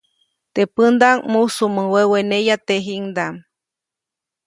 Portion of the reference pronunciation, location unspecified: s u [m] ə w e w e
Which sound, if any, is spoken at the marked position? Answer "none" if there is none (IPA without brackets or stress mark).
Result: m